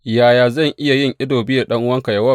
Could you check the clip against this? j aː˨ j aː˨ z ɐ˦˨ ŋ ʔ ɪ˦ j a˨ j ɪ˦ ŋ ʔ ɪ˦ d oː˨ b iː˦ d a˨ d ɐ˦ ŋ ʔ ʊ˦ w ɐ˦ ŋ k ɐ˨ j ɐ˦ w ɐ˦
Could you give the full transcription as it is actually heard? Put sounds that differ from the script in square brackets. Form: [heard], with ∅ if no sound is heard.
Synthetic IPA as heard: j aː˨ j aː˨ z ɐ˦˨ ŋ ʔ ɪ˦ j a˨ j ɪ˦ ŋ ʔ ɪ˦ d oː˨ b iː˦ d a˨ [ɗ] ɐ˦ ŋ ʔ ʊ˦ w ɐ˦ ŋ k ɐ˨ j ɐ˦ w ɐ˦